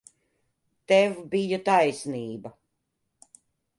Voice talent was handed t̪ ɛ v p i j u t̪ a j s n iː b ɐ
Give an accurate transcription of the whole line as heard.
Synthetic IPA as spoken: t̪ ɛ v b i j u t̪ a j s n iː b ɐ